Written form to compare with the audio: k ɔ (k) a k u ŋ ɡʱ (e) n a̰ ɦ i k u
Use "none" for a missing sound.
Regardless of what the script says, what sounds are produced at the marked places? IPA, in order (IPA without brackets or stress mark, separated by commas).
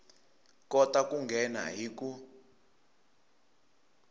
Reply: t, ɛ